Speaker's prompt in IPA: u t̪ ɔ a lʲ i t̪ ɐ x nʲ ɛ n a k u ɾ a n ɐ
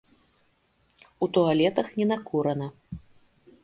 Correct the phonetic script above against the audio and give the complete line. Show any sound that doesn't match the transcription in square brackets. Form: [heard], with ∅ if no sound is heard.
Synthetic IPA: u t̪ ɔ a lʲ [ɛ] t̪ ɐ x nʲ ɛ n a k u ɾ [ɐ] n ɐ

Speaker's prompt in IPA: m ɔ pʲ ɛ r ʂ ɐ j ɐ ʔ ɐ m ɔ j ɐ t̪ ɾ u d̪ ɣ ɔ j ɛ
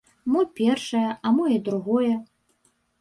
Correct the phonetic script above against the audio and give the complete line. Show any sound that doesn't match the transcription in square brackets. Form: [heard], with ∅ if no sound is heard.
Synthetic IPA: m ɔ pʲ ɛ r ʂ ɐ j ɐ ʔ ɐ m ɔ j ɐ [d̪] ɾ u [∅] ɣ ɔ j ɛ

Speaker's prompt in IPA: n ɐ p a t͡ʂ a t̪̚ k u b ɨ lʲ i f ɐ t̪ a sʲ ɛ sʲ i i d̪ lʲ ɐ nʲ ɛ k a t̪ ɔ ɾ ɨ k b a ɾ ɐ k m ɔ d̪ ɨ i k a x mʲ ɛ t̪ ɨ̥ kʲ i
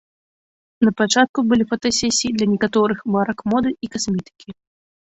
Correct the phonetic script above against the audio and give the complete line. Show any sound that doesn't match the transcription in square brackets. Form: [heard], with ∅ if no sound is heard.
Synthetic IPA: n ɐ p a t͡ʂ a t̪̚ k u b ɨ lʲ i f ɐ t̪ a sʲ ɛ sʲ i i d̪ lʲ ɐ nʲ ɛ k a t̪ ɔ ɾ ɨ [x] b a ɾ ɐ k m ɔ d̪ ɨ i k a [s] mʲ ɛ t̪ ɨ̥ kʲ i

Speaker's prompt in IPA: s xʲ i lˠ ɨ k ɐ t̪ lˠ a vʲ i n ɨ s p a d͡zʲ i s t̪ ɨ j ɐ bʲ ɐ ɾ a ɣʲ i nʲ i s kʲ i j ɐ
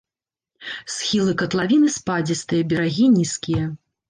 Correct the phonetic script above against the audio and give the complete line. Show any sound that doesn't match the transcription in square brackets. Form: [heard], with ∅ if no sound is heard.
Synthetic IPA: s xʲ i lˠ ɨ k ɐ t̪ lˠ a vʲ i n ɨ s p a d͡zʲ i s t̪ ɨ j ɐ bʲ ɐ ɾ a ɣʲ i nʲ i s kʲ i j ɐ

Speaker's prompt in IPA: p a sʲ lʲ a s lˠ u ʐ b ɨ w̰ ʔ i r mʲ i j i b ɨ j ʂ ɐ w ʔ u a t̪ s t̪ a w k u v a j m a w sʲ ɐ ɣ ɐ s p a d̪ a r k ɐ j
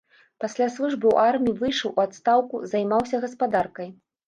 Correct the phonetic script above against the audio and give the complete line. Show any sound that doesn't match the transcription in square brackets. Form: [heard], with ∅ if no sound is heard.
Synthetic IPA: p a sʲ lʲ a s lˠ u ʐ b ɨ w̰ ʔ [a] r mʲ i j i [v] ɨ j ʂ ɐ w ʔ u a t̪ s t̪ a w k u [z] a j m a w sʲ ɐ ɣ ɐ s p a d̪ a r k ɐ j

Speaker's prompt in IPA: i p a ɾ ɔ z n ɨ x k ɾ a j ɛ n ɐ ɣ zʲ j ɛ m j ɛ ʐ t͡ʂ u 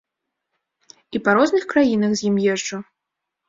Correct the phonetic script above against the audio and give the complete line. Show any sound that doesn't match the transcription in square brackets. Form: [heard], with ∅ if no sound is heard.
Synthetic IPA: i p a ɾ ɔ z n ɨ x k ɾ a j [i] n ɐ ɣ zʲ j [i] m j ɛ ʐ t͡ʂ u

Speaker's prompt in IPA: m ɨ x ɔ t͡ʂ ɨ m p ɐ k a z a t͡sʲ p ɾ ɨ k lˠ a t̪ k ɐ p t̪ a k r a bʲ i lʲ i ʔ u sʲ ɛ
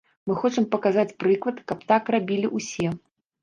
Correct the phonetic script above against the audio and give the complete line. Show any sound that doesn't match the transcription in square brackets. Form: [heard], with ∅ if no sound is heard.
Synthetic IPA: m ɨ x ɔ t͡ʂ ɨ m p ɐ k a z a t͡sʲ p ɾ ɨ k lˠ [ɐ] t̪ k ɐ p t̪ a k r a bʲ i lʲ i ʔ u sʲ ɛ

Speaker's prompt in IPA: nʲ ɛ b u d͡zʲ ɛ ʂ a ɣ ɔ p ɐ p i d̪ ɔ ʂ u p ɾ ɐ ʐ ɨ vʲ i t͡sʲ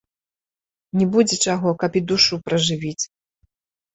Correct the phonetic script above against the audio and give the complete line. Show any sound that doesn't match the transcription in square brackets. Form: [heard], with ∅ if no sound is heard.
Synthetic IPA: nʲ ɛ b u d͡zʲ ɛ [t͡ʂ] a ɣ ɔ [k] ɐ p i d̪ [u] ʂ u p ɾ ɐ ʐ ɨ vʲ i t͡sʲ

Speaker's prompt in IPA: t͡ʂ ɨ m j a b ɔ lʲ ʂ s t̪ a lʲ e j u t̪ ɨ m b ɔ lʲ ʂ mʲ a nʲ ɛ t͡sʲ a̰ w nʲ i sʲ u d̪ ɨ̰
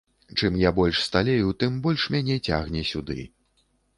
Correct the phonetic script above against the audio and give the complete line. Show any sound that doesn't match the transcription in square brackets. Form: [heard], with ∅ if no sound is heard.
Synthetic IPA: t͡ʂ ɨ m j a b ɔ lʲ ʂ s t̪ a lʲ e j u t̪ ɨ m b ɔ lʲ ʂ mʲ a nʲ ɛ t͡sʲ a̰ [ɣ] nʲ [ɛ] sʲ u d̪ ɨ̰

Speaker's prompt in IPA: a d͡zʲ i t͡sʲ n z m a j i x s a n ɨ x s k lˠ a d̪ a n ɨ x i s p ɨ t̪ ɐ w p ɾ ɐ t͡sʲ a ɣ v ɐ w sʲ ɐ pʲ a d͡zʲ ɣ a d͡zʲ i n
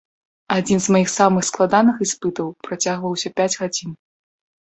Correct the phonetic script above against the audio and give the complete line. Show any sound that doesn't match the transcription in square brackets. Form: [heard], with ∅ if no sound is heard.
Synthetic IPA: a d͡zʲ i [∅] n z m a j i x s a [m] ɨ x s k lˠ a d̪ a n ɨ x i s p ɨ t̪ ɐ w p ɾ [a] t͡sʲ a ɣ v ɐ w sʲ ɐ pʲ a d͡zʲ ɣ a d͡zʲ i n

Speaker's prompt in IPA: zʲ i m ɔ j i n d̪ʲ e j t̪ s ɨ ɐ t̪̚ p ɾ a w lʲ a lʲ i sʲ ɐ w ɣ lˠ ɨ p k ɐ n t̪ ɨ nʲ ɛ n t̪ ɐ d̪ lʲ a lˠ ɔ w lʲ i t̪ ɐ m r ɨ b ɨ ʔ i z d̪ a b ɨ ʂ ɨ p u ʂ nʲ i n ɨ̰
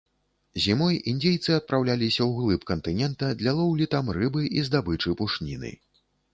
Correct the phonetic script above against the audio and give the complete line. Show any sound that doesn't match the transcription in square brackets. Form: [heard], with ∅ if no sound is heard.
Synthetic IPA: zʲ i m ɔ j i n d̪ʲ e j t̪ s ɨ ɐ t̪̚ p ɾ a w lʲ a lʲ i sʲ ɐ w ɣ lˠ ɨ p k ɐ n t̪ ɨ nʲ ɛ n t̪ ɐ d̪ lʲ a lˠ ɔ w lʲ i t̪ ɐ m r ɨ b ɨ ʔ i z d̪ a b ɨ [t͡ʂ] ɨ p u ʂ nʲ i n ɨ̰

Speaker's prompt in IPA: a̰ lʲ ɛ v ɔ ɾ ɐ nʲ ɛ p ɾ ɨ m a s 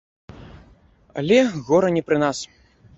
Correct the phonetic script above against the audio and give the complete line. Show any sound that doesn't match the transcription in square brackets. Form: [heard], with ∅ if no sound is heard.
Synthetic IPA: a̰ lʲ ɛ [ɣ] ɔ ɾ ɐ nʲ ɛ p ɾ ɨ [n] a s

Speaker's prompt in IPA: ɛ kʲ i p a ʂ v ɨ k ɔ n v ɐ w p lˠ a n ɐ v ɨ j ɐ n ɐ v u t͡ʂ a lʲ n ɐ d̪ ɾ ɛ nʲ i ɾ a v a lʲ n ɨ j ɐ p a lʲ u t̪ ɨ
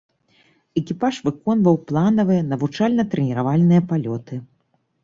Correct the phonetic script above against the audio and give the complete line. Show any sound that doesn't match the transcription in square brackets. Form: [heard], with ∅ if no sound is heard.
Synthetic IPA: ɛ kʲ i p a ʂ v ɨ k ɔ n v ɐ w p lˠ a n ɐ v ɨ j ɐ n ɐ v u t͡ʂ a lʲ n ɐ [t̪] ɾ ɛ nʲ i ɾ a v a lʲ n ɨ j ɐ p a lʲ [ɔ] t̪ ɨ

